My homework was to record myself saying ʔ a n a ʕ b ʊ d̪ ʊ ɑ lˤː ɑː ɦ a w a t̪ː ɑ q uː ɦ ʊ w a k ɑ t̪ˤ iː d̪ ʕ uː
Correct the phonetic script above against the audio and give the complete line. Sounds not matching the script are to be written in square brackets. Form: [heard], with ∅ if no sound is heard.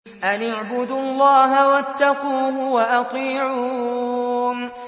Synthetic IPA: ʔ a n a ʕ b ʊ d̪ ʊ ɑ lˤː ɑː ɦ a w a t̪ː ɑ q uː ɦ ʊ w a [ʔ] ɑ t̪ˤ iː [∅] ʕ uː

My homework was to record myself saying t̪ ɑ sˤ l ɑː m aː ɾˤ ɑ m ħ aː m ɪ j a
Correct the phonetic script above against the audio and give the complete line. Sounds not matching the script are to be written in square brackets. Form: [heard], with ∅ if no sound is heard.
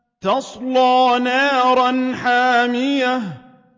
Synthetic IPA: t̪ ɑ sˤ l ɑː [n] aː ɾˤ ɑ [n] ħ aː m ɪ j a

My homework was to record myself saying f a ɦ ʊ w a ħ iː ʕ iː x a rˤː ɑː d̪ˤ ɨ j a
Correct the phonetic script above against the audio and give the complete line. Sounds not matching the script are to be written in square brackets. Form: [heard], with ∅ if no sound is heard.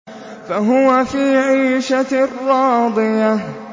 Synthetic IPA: f a ɦ ʊ w a [f] iː ʕ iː [ʃ] a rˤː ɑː d̪ˤ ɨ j a

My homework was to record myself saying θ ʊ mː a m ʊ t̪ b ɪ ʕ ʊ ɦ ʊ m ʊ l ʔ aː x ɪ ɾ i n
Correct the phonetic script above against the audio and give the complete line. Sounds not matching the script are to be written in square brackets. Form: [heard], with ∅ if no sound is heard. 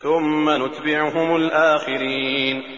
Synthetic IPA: θ ʊ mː a [n] ʊ t̪ b ɪ ʕ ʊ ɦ ʊ m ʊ l ʔ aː x ɪ ɾ i n

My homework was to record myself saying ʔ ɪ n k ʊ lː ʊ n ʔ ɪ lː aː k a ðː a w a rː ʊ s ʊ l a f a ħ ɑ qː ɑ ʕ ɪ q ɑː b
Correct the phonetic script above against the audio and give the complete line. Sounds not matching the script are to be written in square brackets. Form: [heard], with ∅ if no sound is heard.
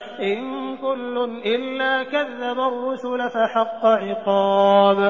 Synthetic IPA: ʔ ɪ n k ʊ lː ʊ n ʔ ɪ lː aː k a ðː a [b] a rː ʊ s ʊ l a f a ħ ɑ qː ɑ ʕ ɪ q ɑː b

